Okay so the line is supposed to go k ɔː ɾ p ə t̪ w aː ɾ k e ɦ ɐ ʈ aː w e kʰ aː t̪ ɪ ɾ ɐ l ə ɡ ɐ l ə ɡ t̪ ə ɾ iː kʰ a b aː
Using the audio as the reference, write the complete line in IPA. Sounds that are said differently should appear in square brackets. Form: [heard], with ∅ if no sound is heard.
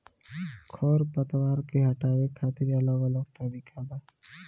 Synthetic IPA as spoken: [kʰ] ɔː ɾ p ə t̪ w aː ɾ k e ɦ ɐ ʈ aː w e kʰ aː t̪ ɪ ɾ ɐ l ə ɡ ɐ l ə ɡ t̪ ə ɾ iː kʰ a b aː